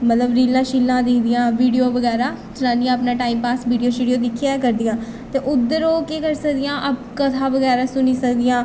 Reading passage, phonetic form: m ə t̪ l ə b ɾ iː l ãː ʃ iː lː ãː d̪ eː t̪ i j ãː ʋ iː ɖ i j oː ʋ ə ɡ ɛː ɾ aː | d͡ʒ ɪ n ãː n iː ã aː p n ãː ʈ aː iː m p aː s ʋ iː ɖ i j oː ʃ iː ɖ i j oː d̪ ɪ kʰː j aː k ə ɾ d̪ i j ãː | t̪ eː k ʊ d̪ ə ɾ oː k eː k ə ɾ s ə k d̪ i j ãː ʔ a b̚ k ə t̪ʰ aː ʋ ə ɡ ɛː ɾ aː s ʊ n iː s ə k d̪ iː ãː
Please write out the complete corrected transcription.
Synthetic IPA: m ə t̪ l ə b ɾ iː l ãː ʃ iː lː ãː d̪ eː d̪ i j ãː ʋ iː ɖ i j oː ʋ ə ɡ ɛː ɾ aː | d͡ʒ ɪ n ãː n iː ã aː p n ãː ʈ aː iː m p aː s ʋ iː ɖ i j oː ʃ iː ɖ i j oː d̪ ɪ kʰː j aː k ə ɾ d̪ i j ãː | t̪ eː ʔ ʊ d̪ ə ɾ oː k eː k ə ɾ s ə k d̪ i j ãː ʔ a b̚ k ə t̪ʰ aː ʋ ə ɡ ɛː ɾ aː s ʊ n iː s ə k d̪ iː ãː